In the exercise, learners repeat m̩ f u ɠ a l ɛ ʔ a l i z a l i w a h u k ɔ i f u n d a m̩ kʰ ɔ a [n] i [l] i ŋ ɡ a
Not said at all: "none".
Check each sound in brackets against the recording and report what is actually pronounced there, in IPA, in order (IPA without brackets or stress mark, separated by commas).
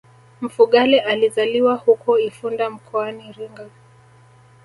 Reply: n, ɾ